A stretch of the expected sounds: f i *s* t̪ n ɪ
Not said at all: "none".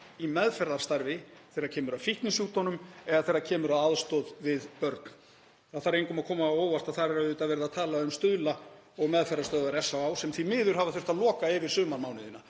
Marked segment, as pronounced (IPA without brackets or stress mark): h